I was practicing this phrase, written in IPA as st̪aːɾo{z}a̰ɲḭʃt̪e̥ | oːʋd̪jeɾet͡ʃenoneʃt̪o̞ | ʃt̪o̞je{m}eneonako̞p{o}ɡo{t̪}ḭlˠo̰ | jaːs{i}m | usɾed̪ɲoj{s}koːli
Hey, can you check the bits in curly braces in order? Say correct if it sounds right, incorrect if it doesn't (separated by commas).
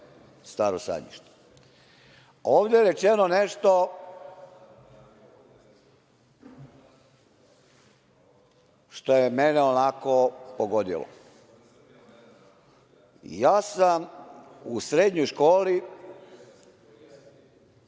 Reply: incorrect, correct, correct, incorrect, incorrect, incorrect